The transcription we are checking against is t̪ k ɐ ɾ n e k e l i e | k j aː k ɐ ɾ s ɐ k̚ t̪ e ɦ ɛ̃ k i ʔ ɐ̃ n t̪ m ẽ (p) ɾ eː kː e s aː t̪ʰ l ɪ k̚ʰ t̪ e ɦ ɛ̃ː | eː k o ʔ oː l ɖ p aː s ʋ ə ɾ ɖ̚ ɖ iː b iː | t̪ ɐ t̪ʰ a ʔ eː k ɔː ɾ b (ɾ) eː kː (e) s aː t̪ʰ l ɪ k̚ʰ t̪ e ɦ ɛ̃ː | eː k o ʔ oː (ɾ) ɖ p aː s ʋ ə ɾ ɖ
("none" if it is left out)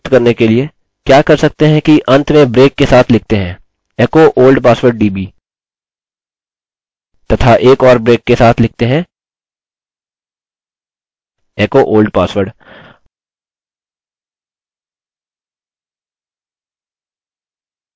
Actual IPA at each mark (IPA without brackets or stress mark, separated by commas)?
b, ɾ, e, l